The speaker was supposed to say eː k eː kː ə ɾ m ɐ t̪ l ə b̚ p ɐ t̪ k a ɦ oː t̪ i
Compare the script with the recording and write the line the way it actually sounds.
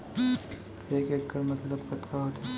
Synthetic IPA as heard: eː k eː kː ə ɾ m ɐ t̪ l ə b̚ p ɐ t̪ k a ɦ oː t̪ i